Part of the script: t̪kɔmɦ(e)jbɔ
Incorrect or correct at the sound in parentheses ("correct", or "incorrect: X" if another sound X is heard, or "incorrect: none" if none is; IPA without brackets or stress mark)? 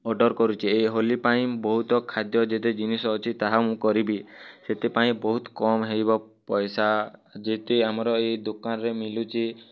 correct